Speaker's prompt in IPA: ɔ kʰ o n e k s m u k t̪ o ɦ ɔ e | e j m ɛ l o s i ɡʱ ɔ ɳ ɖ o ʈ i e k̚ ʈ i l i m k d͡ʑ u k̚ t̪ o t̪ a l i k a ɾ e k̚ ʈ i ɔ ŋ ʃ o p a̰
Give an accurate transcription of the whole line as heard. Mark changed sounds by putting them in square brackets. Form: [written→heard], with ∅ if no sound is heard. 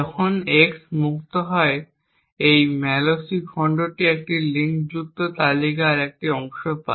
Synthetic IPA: ɔ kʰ o n e k s m u k t̪ o ɦ ɔ e | e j m ɛ l o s i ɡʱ ɔ ɳ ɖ o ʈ i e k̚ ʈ i l i [m→ŋ] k d͡ʑ u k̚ t̪ o t̪ a l i k a ɾ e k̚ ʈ i ɔ ŋ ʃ o p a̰

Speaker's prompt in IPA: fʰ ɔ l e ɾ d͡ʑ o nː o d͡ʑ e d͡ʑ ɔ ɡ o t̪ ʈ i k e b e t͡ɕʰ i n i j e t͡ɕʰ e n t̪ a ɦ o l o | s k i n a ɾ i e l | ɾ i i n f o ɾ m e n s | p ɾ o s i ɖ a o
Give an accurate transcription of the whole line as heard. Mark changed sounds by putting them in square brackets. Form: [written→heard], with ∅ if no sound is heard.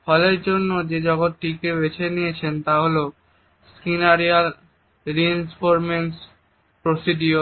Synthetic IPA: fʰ ɔ l e ɾ d͡ʑ o nː o d͡ʑ e d͡ʑ ɔ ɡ o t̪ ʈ i k e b e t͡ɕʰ [i→e] n i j e t͡ɕʰ e n t̪ a ɦ o l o | s k i n a ɾ i [e→a] l | ɾ i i n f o ɾ m e n s | p ɾ o s i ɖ [a→i] o

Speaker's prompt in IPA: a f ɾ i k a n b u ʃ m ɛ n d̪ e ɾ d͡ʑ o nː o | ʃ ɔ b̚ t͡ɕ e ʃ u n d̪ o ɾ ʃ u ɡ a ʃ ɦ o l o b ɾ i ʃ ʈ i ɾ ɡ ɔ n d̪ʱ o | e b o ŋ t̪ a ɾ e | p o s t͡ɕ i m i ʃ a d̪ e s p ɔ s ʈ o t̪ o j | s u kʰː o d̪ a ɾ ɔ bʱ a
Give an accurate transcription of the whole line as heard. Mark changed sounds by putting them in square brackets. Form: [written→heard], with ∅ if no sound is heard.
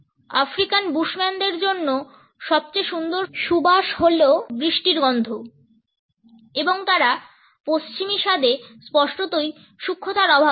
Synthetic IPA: a f ɾ i k a n b u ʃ m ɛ n d̪ e ɾ d͡ʑ o nː o | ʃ ɔ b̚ t͡ɕ e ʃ u n d̪ o ɾ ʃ u [ɡ→b] a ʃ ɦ o l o b ɾ i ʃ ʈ i ɾ ɡ ɔ n d̪ʱ o | e b o ŋ t̪ a ɾ [e→a] | p o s t͡ɕ i m i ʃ a d̪ e s p ɔ [s→ʃ] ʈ o t̪ o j | [s→ʃ] u kʰː o [d̪→t̪] a ɾ ɔ bʱ a

